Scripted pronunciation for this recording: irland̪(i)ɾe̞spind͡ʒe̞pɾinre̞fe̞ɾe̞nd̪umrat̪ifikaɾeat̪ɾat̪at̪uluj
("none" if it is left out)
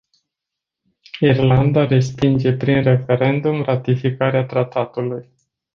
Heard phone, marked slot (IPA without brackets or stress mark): a